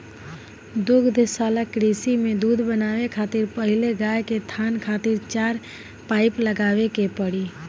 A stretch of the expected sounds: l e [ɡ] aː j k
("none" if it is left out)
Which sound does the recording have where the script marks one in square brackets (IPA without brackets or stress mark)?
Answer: ɡ